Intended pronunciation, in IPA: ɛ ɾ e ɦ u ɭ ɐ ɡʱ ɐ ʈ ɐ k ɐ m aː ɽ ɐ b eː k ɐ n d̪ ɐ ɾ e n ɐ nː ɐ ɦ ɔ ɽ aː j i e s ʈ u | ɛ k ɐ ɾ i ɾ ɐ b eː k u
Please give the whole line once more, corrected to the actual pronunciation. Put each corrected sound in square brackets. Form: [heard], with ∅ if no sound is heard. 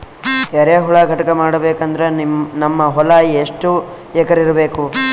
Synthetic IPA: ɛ ɾ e ɦ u ɭ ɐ ɡʱ ɐ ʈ ɐ k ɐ m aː ɽ ɐ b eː k ɐ n d̪ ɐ ɾ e n ɐ [mː] ɐ ɦ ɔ [l] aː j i e [ʂ] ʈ u | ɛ k ɐ ɾ i ɾ ɐ b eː k u

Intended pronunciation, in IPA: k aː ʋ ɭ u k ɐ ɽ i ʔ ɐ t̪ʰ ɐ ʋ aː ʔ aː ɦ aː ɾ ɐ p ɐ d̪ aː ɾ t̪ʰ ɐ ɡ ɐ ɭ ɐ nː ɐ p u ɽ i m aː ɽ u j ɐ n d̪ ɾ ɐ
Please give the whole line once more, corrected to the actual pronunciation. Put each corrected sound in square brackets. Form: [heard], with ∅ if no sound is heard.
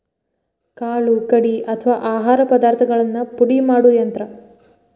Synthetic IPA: k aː [∅] ɭ u k ɐ ɽ i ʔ ɐ t̪ʰ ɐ ʋ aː ʔ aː ɦ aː ɾ ɐ p ɐ d̪ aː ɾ t̪ʰ ɐ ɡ ɐ ɭ ɐ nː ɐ p u ɽ i m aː ɽ u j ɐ n [t̪] ɾ ɐ

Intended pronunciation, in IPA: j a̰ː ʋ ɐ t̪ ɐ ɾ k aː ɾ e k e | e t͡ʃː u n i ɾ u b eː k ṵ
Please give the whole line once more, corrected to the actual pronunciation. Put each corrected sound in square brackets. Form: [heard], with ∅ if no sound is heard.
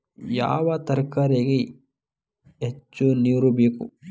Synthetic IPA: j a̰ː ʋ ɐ t̪ ɐ ɾ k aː ɾ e [ɡ] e | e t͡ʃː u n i ɾ u b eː k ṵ

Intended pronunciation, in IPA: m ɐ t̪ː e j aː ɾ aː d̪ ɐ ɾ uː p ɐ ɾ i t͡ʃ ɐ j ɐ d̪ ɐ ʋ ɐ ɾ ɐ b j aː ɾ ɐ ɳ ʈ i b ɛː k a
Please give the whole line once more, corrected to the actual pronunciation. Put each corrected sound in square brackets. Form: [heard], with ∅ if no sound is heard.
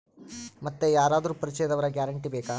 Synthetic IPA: m ɐ t̪ː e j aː ɾ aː d̪ ɐ ɾ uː p ɐ ɾ i t͡ʃ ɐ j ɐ d̪ ɐ ʋ ɐ ɾ ɐ [ɡ] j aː ɾ ɐ ɳ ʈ i b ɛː k a

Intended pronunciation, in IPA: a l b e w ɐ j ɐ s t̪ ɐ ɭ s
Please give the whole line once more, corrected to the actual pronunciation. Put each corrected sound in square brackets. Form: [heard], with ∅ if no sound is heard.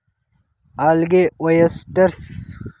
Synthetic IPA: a l [ɡ] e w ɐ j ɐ s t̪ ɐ [ɾ] s

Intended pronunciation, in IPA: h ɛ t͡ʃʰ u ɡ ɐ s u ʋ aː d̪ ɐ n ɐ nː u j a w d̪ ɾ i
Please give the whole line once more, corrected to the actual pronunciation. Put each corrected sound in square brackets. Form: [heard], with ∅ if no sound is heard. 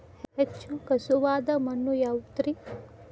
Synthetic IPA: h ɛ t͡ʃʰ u [k] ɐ s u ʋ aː d̪ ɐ [m] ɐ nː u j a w [t̪] ɾ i

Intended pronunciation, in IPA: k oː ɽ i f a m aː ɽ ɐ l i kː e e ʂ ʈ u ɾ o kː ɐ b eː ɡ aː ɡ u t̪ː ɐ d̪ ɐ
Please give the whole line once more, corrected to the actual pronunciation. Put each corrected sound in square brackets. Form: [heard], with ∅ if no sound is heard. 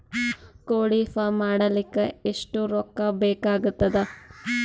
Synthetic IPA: k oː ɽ i f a m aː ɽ ɐ l i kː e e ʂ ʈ u ɾ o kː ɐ b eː [k] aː ɡ u t̪ː ɐ d̪ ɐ

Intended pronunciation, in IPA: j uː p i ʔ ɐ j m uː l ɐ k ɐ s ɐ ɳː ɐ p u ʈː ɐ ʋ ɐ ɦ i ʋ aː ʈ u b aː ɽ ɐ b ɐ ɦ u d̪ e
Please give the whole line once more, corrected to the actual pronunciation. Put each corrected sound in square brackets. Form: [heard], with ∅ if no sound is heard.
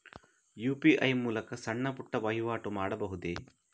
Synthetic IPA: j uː p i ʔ ɐ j m uː l ɐ k ɐ s ɐ ɳː ɐ p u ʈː ɐ ʋ ɐ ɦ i ʋ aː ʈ u [m] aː ɽ ɐ b ɐ ɦ u d̪ e

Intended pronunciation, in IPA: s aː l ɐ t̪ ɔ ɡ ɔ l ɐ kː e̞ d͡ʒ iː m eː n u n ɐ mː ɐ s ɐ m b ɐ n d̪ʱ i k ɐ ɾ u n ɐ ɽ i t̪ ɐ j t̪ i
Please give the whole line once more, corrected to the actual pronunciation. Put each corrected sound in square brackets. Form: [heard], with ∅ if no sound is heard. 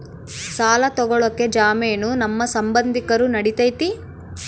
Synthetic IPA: s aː l ɐ t̪ ɔ ɡ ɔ [ɭ] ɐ kː e̞ d͡ʒ [aː] m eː n u n ɐ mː ɐ s ɐ m b ɐ n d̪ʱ i k ɐ ɾ u n ɐ ɽ i t̪ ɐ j t̪ i

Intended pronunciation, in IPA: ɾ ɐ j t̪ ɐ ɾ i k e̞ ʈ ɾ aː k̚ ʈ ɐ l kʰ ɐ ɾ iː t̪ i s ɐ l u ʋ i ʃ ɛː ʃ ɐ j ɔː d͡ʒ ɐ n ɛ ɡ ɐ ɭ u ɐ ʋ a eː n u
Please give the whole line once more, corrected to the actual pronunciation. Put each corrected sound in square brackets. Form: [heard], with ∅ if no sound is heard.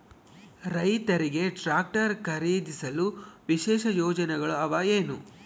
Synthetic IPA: ɾ ɐ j t̪ ɐ ɾ i [ɡ] e̞ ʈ ɾ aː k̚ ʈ ɐ [ɾ] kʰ ɐ ɾ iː [d̪] i s ɐ l u ʋ i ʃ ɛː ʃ ɐ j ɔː d͡ʒ ɐ n ɛ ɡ ɐ ɭ u ɐ ʋ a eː n u

